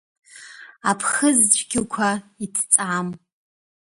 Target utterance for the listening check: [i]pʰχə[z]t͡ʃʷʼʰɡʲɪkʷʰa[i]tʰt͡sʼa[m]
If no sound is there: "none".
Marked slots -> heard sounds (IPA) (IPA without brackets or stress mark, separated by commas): a, z, i, m